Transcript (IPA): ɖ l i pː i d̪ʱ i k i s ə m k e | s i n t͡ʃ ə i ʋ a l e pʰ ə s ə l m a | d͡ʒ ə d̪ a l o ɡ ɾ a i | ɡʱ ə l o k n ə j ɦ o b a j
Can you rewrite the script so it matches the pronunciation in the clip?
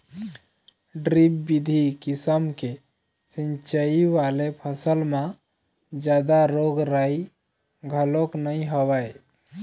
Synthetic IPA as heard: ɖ ɾ i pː i d̪ʱ i k i s ə m k e | s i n t͡ʃ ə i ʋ a l e pʰ ə s ə l m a | d͡ʒ a d̪ a ɾ o ɡ ɾ a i | ɡʱ ə l o k n ə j ɦ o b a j